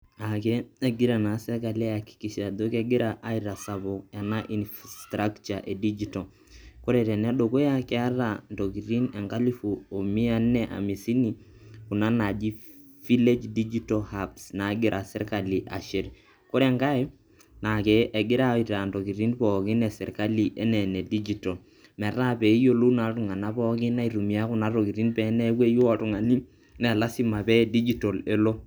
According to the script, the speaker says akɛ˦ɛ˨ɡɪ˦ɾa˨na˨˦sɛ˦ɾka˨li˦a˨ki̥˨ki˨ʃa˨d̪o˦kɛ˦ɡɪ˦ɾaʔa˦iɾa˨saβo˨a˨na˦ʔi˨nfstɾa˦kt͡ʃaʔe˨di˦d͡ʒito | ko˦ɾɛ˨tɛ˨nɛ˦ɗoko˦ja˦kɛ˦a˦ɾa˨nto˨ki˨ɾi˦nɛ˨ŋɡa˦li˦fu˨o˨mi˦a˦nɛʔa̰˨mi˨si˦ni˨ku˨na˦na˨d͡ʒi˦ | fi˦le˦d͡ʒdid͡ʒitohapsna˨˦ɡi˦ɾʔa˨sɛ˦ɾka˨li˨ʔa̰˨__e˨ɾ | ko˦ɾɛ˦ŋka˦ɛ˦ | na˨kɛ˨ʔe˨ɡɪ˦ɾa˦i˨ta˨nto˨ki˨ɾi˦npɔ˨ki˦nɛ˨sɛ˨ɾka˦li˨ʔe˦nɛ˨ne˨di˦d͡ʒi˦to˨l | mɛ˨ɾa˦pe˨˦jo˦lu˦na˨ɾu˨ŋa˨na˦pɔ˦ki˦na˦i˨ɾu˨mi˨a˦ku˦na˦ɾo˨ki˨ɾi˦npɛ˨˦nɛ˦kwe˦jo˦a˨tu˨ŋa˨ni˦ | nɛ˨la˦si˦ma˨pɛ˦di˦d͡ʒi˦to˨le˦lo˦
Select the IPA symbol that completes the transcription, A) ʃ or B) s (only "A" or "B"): A